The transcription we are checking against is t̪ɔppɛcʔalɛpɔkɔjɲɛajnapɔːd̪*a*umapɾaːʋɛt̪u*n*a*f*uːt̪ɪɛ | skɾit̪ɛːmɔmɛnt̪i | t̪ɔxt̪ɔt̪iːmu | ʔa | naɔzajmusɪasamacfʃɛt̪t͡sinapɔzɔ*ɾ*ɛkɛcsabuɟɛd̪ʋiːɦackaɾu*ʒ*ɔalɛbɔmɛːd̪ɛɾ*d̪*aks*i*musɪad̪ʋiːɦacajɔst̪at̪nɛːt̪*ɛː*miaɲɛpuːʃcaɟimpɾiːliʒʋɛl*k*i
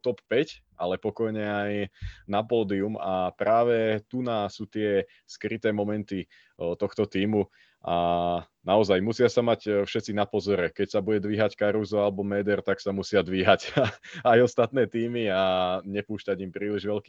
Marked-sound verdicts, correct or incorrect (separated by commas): incorrect, correct, incorrect, correct, incorrect, incorrect, incorrect, incorrect, correct